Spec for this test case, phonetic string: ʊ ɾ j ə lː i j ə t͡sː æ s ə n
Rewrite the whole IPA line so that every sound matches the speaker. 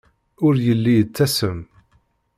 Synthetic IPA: ʊ ɾ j ə lː i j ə t͡sː æ s ə m